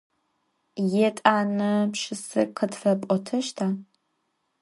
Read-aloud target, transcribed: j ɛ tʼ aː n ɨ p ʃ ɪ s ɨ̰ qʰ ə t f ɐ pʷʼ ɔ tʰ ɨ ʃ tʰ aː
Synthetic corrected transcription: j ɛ tʼ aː n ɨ p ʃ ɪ s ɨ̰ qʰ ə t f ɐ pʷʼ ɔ tʰ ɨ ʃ tʰ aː